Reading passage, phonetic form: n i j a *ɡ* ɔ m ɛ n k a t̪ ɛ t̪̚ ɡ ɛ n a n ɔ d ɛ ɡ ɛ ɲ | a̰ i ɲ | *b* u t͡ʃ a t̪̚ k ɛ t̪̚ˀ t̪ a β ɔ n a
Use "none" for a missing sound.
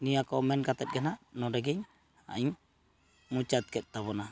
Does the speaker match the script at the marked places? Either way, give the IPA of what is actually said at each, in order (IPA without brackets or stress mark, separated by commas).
k, m